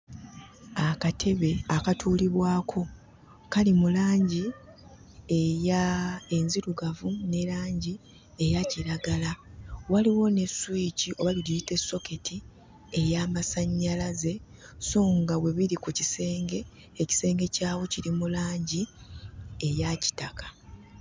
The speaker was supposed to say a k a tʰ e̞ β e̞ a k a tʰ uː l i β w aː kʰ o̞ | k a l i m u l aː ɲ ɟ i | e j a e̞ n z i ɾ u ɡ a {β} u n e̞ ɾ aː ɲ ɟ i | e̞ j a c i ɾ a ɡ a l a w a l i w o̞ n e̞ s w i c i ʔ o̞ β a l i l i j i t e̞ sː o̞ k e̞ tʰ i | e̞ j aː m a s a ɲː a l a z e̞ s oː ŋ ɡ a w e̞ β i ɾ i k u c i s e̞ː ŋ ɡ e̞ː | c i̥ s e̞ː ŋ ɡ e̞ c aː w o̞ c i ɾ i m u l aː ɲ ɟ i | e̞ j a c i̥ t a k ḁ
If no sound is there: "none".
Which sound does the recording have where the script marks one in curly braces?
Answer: v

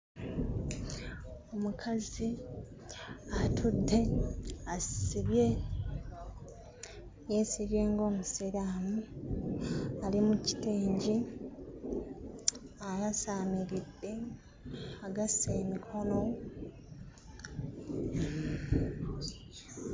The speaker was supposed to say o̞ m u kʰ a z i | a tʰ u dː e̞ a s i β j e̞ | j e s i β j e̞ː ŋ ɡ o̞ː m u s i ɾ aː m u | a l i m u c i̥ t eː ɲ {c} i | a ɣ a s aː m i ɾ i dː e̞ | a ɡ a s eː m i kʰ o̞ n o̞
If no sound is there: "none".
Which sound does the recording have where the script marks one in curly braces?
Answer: ɟ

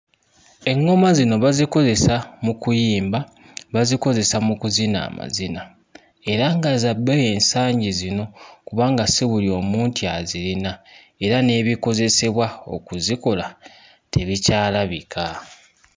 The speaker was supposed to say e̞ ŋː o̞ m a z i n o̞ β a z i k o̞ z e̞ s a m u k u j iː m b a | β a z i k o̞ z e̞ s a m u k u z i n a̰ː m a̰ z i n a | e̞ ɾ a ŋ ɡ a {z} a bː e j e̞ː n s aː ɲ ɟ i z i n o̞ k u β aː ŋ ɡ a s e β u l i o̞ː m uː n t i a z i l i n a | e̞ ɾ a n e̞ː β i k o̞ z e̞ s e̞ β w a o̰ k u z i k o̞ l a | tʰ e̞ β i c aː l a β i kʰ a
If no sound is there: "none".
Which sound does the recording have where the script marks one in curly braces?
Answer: z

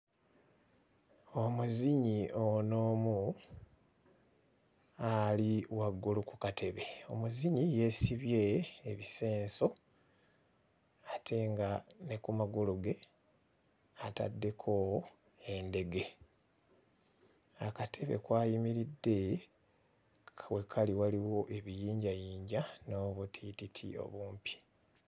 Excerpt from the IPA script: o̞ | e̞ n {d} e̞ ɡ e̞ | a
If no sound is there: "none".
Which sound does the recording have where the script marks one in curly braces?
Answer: d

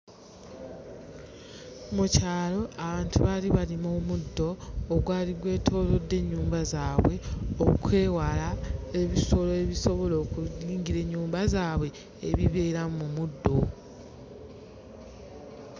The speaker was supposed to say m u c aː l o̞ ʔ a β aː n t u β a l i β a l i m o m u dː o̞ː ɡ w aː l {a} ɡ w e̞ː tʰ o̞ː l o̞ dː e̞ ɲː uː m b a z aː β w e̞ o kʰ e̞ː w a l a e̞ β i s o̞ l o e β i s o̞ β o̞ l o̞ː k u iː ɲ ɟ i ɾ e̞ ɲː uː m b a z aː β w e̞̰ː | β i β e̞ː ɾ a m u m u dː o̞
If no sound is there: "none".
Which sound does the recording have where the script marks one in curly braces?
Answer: i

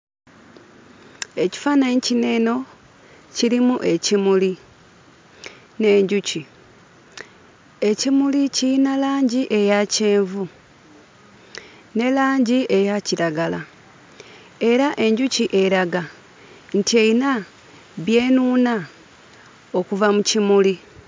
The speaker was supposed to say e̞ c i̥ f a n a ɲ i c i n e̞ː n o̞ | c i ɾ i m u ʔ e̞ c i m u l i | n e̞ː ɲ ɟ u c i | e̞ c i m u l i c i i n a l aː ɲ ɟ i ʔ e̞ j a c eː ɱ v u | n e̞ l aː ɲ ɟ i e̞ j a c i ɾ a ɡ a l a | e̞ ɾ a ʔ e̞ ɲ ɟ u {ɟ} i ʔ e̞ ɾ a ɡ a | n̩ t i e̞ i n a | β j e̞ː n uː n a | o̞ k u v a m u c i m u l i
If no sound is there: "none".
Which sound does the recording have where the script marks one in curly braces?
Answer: c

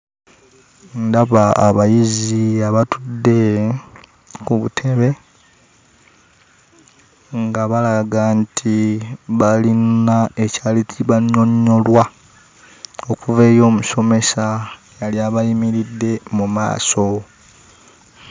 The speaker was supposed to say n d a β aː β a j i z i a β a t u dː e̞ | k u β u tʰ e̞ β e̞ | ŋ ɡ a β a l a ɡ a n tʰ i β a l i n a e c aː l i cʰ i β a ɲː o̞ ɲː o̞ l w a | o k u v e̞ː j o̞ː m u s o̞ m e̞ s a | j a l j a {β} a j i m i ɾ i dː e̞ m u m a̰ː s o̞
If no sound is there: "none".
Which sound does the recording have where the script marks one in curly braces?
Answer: β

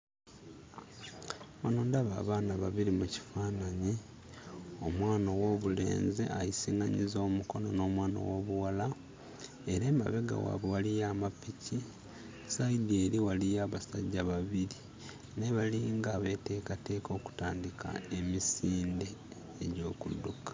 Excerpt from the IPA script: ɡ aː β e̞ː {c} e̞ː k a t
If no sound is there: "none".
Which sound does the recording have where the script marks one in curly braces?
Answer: t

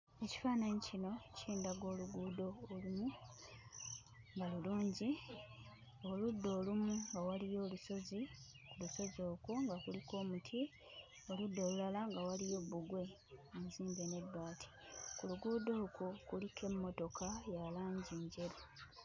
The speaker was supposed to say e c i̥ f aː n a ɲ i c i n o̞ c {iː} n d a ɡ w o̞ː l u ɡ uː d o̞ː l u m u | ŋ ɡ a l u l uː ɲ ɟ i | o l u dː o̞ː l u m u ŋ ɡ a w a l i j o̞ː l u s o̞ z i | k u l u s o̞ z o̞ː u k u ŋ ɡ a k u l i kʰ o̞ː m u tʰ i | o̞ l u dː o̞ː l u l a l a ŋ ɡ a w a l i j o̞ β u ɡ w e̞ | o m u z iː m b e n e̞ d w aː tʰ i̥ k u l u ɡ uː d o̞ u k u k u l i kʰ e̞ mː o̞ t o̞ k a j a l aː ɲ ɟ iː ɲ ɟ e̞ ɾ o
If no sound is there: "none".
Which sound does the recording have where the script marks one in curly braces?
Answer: iː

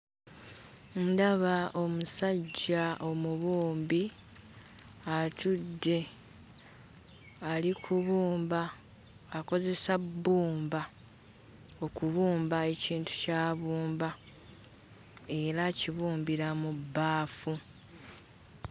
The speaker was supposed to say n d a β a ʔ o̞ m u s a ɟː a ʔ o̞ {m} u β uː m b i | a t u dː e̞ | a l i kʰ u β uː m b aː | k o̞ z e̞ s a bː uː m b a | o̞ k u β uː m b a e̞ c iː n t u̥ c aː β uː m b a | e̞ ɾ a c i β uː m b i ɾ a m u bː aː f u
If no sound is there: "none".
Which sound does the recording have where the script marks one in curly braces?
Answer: m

